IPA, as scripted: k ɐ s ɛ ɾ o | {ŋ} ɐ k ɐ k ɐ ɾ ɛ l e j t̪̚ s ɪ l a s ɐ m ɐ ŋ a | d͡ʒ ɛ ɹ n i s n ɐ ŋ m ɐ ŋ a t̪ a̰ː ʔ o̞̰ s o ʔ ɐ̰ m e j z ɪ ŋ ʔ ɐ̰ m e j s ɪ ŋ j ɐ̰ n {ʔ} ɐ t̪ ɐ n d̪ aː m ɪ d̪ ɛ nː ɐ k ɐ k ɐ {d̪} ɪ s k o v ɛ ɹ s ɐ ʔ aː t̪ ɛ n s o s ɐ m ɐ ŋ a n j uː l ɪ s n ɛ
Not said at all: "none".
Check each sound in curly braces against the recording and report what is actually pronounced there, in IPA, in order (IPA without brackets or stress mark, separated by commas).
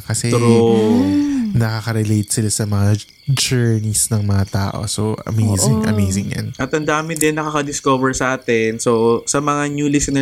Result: n, ʔ, d̪